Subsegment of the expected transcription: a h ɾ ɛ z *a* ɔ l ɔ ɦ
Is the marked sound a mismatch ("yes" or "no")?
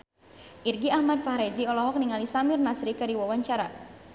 yes